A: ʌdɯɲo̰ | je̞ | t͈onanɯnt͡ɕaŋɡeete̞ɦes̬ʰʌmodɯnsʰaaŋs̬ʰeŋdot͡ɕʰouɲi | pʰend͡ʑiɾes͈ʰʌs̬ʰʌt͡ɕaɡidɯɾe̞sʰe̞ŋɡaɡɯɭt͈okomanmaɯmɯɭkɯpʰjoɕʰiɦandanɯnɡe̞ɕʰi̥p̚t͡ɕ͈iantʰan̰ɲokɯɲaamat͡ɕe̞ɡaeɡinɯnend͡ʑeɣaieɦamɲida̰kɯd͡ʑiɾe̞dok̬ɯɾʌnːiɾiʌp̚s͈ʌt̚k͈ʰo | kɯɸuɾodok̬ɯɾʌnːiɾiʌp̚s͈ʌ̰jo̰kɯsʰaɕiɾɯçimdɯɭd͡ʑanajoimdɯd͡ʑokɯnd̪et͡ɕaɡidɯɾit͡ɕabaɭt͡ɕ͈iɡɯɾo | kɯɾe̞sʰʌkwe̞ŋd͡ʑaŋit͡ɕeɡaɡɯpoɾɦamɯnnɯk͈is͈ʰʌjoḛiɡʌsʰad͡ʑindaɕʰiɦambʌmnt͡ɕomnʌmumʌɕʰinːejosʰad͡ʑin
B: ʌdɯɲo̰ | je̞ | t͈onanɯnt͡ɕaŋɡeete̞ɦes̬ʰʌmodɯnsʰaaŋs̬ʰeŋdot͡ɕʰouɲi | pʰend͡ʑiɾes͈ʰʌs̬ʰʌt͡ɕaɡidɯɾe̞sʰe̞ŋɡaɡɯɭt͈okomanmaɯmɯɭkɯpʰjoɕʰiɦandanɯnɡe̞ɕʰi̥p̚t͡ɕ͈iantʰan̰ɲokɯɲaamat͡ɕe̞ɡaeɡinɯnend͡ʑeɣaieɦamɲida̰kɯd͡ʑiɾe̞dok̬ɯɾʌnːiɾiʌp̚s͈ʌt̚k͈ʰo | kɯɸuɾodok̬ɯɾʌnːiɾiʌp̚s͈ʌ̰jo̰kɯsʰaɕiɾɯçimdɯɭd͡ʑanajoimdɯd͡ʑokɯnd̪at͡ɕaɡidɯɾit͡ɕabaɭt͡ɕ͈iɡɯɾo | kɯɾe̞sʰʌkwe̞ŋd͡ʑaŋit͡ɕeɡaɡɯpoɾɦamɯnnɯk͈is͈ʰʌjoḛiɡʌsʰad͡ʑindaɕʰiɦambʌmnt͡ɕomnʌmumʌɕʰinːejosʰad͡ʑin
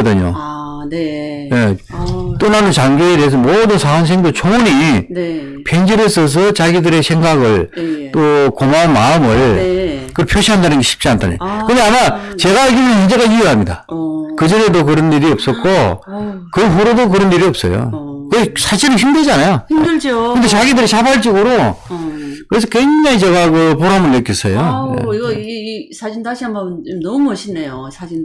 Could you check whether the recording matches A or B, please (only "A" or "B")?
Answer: A